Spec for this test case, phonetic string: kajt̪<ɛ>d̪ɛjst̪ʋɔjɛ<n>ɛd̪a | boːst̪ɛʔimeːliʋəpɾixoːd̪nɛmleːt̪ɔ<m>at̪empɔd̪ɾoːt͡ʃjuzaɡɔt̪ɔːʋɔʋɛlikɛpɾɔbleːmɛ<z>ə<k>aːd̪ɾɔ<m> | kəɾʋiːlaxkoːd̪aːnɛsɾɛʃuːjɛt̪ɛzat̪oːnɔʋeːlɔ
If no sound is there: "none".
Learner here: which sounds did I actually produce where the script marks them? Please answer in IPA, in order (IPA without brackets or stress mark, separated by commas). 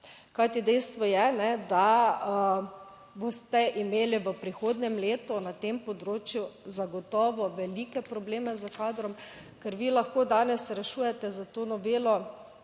i, n, n, z, k, m